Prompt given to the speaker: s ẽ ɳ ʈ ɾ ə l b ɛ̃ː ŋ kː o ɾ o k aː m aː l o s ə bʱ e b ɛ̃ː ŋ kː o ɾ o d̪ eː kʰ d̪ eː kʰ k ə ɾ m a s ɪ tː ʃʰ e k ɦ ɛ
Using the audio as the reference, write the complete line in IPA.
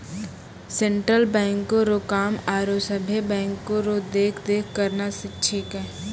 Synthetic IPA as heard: s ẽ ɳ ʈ ɾ ə l b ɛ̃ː ŋ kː o ɾ o k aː m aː ɾ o s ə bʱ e b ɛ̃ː ŋ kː o ɾ o d̪ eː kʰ d̪ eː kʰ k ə ɾ n a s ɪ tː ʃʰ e k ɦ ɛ